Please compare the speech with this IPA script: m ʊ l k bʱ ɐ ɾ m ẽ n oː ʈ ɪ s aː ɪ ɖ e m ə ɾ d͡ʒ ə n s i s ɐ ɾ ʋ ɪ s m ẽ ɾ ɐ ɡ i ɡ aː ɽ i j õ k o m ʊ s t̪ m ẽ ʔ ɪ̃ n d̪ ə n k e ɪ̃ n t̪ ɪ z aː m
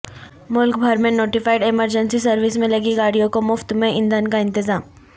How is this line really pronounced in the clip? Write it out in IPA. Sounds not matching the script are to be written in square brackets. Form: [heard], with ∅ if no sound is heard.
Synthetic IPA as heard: m ʊ l k bʱ ɐ ɾ m ẽ n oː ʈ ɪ [f] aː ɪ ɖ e m ə ɾ d͡ʒ ə n s i s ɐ ɾ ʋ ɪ s m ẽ [l] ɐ ɡ i ɡ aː ɽ i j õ k o m ʊ [f] t̪ m ẽ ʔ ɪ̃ n d̪ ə n k [a] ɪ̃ n t̪ ɪ z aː m